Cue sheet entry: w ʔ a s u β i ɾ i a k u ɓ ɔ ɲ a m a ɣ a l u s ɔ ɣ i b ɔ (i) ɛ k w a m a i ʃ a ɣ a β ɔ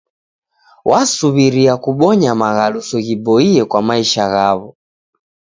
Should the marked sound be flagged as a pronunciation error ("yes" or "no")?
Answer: no